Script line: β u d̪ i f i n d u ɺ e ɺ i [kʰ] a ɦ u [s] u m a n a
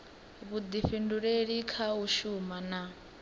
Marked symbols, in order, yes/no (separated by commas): yes, no